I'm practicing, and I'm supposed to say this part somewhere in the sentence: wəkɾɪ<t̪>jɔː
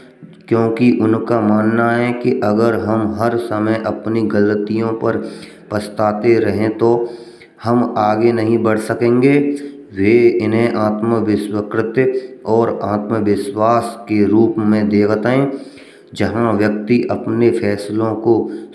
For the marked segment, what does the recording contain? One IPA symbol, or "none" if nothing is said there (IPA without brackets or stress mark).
t̪